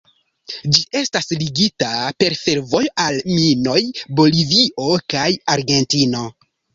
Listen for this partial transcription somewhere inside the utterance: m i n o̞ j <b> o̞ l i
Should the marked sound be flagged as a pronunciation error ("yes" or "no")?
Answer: no